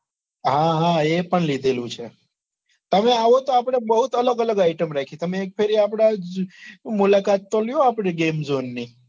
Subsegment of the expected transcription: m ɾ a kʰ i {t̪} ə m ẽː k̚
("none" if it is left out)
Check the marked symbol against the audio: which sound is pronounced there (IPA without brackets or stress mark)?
t̪